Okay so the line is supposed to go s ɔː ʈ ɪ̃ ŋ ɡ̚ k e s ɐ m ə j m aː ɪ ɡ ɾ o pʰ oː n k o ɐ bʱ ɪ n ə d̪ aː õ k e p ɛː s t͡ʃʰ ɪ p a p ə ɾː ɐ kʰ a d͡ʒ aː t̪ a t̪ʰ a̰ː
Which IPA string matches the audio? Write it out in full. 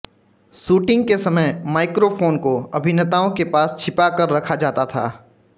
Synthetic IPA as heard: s uː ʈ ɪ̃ ŋ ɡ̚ k e s ɐ m ə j m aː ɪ k ɾ o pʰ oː n k o ɐ bʱ ɪ n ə t̪ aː õ k e p aː s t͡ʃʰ ɪ p a k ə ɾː ɐ kʰ a d͡ʒ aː t̪ a t̪ʰ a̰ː